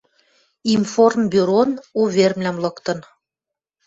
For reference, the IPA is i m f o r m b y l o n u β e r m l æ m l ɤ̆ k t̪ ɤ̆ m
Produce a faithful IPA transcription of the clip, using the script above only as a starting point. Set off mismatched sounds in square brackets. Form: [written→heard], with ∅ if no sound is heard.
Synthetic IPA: i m f o r m b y [l→ɾ] o n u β e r m l æ m l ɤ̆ k t̪ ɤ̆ [m→n]